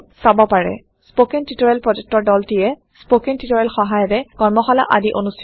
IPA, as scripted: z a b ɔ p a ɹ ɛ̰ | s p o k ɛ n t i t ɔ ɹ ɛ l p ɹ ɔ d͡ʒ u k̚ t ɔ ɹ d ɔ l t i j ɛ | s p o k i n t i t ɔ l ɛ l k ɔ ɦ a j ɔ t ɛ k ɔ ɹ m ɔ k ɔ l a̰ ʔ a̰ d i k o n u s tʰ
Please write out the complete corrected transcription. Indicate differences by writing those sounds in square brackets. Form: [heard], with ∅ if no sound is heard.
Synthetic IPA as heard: [s] a b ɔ p a ɹ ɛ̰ | s p o k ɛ n t i t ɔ ɹ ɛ l p ɹ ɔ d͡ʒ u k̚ t ɔ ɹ d ɔ l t i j ɛ | s p o k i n t i t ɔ [ɹ] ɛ l [x] ɔ ɦ a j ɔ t ɛ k ɔ ɹ m ɔ [x] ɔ l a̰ ʔ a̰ d i [ʔ] o n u s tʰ